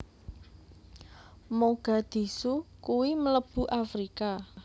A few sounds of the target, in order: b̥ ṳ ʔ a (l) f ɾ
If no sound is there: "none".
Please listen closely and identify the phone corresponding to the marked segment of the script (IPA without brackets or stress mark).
none